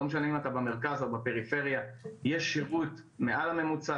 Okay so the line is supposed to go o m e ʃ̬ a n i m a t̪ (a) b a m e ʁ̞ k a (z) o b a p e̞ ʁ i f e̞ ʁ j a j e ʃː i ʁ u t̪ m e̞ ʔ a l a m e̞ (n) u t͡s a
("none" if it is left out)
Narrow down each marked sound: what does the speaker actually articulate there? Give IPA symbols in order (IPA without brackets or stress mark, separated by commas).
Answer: a, z, m